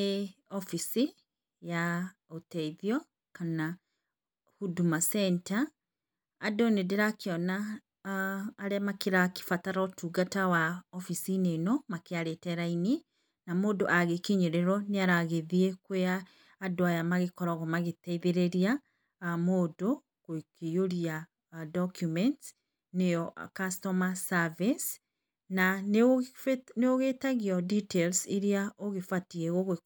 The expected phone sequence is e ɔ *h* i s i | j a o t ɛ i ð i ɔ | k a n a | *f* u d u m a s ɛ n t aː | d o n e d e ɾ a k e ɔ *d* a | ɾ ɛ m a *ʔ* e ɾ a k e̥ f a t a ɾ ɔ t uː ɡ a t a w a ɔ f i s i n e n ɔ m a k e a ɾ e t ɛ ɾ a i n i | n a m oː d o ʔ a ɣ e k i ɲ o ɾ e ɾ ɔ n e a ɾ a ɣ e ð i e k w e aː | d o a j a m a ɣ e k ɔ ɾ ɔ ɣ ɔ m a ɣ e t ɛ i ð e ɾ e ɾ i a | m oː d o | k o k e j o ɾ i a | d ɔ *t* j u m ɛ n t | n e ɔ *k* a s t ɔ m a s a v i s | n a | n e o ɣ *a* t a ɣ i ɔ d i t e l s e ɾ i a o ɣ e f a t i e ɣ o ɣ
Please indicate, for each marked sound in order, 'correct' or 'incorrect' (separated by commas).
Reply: incorrect, incorrect, incorrect, incorrect, incorrect, correct, incorrect